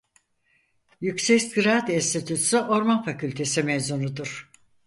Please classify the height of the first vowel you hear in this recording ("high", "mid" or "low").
high